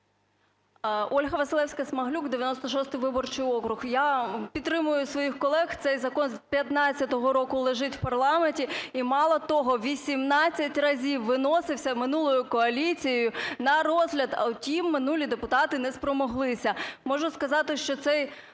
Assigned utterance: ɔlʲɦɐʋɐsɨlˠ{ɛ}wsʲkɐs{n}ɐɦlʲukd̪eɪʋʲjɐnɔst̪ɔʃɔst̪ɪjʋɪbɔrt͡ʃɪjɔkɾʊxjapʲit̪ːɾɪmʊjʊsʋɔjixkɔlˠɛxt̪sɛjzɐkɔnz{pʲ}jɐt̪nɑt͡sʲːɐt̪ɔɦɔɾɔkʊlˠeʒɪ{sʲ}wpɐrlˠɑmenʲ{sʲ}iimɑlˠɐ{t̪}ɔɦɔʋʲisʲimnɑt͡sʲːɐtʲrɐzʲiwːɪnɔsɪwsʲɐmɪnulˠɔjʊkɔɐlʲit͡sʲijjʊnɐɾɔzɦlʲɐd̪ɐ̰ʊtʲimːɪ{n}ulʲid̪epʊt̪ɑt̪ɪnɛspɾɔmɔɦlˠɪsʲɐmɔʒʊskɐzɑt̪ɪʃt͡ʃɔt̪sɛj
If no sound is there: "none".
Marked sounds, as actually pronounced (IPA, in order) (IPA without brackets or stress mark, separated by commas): ɛ, m, pʲ, tʲ, tʲ, t̪, n